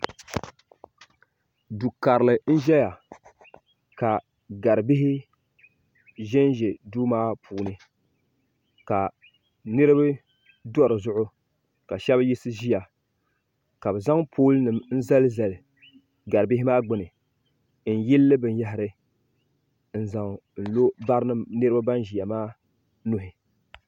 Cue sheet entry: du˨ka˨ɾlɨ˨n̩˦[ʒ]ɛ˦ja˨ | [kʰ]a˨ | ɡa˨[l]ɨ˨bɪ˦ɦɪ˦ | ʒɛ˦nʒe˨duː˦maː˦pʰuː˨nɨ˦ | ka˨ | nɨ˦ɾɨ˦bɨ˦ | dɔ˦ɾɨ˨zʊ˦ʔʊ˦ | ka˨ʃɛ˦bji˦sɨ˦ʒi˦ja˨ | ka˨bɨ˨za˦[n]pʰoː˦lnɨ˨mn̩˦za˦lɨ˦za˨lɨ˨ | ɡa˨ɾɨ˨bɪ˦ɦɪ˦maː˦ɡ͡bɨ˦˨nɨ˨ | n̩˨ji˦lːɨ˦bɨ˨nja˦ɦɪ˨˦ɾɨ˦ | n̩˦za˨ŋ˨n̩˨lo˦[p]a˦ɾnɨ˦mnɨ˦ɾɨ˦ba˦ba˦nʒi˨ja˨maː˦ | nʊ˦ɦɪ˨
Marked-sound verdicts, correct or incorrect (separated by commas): correct, incorrect, incorrect, incorrect, incorrect